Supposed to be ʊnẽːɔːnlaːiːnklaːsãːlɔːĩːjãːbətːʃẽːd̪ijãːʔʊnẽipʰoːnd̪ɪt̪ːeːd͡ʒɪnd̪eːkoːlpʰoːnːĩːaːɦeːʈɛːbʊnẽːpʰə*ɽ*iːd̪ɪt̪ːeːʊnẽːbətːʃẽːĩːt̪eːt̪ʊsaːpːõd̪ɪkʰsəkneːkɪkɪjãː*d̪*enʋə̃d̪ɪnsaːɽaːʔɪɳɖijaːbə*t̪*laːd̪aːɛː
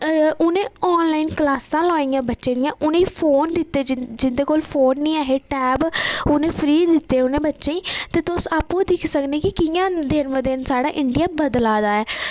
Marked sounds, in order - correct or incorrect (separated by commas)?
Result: incorrect, correct, incorrect